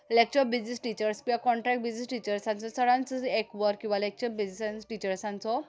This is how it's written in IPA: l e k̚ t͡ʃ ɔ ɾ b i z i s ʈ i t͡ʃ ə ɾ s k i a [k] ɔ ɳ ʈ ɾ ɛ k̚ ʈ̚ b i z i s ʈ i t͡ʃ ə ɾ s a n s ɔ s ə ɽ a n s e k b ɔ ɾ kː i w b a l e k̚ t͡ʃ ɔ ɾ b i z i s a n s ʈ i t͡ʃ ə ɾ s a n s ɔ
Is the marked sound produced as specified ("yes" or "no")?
yes